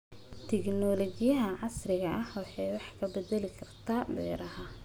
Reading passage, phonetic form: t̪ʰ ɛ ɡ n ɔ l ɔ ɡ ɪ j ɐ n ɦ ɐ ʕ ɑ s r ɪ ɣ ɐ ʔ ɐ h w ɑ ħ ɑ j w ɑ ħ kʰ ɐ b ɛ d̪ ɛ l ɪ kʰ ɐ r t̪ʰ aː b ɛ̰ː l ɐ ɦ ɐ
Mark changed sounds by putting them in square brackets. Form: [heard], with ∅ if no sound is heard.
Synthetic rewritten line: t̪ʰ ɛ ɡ n ɔ l ɔ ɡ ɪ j ɐ [∅] ɦ ɐ ʕ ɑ s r ɪ ɣ ɐ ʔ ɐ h w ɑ ħ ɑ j w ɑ ħ kʰ ɐ b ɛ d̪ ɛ l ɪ kʰ ɐ r t̪ʰ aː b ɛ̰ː [ɾ] ɐ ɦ ɐ